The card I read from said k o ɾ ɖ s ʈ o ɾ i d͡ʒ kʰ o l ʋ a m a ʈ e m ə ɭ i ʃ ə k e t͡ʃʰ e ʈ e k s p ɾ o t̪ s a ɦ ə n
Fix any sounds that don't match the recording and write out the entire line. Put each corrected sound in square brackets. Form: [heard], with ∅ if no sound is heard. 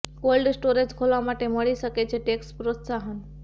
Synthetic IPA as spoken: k o [l] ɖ s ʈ o ɾ [e] d͡ʒ kʰ o l ʋ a m a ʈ e m ə ɭ i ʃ ə k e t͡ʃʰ e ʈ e k s p ɾ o t̪ s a ɦ ə n